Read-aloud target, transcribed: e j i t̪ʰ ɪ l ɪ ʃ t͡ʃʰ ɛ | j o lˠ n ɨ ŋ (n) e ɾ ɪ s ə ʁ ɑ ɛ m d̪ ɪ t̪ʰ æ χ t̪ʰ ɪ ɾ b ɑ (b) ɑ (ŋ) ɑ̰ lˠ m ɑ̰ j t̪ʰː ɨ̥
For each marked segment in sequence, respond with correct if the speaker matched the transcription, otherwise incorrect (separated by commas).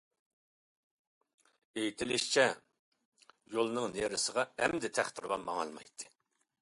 correct, incorrect, correct